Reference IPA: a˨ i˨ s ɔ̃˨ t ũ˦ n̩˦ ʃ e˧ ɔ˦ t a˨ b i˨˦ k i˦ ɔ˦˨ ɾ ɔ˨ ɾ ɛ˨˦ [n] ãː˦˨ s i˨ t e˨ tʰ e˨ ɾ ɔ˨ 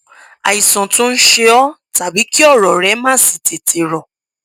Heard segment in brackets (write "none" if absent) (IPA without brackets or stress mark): m